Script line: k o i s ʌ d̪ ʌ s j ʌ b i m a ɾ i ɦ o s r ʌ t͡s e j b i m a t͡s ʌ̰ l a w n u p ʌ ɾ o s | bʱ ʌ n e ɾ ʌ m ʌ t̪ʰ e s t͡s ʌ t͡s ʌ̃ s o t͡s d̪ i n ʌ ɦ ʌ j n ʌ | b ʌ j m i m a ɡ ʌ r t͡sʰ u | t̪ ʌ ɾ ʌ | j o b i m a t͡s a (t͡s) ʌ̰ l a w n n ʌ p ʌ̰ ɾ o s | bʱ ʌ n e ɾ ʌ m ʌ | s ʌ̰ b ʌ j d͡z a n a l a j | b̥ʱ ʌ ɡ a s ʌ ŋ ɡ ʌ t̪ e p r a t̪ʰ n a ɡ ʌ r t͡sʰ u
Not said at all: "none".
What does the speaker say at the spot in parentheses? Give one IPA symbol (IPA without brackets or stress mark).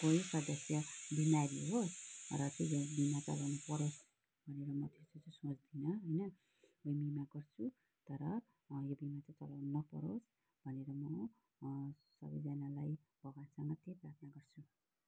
t͡s